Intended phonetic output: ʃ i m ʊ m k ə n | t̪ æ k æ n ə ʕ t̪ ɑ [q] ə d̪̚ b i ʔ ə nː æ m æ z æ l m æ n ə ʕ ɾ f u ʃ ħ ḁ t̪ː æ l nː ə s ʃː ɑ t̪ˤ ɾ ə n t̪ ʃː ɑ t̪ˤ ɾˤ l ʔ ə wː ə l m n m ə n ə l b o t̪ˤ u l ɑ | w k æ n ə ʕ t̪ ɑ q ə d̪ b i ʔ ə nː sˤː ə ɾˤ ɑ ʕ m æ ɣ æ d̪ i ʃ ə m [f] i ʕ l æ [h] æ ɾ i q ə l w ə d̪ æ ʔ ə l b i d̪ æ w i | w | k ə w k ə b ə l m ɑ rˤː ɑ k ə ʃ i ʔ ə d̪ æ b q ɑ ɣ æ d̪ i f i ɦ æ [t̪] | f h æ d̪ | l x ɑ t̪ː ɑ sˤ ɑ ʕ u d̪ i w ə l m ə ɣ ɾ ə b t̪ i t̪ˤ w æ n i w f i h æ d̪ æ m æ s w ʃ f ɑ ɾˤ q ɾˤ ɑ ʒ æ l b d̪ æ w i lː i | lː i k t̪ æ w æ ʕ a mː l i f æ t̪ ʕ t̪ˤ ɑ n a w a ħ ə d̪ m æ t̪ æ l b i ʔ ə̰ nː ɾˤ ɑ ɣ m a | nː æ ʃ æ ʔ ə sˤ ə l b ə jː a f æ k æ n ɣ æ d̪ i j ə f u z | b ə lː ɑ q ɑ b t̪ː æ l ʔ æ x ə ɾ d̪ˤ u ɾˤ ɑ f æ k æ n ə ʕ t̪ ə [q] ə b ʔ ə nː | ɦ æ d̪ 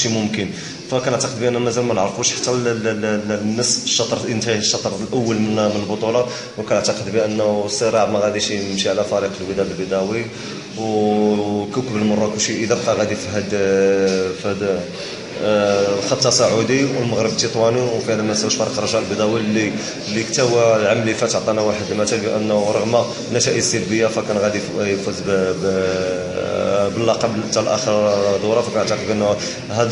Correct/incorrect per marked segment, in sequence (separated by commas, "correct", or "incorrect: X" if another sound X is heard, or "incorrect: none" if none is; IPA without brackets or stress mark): correct, incorrect: ʃ, incorrect: f, incorrect: d̪, correct